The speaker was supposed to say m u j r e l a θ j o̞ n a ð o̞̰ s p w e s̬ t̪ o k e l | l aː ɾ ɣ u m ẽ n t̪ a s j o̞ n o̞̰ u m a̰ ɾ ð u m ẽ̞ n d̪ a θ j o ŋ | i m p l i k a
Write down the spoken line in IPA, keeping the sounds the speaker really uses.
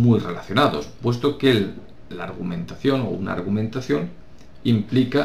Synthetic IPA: m u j r e l a θ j o̞ n a ð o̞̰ s p w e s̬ t̪ o k e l | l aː ɾ ɣ u m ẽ n t̪ a θ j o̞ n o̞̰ u n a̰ ɾ ɣ u m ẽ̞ n t̪ a θ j o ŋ | i m p l i k a